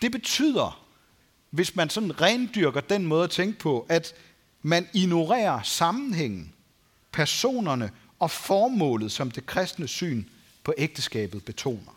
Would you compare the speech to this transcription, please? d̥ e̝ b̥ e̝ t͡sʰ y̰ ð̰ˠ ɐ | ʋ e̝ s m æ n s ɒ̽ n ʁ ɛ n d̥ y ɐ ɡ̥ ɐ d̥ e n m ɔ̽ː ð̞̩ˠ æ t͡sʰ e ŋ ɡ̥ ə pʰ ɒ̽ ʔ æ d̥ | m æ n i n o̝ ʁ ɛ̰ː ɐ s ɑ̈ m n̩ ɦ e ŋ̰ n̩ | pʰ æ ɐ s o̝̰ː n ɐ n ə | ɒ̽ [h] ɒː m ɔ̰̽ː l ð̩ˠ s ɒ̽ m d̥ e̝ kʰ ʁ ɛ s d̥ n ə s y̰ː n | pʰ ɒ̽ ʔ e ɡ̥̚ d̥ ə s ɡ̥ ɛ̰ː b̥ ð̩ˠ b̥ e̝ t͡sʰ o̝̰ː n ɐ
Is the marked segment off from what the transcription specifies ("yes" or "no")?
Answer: yes